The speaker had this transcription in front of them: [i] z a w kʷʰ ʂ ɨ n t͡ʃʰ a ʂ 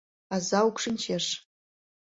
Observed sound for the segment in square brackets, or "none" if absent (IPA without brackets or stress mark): a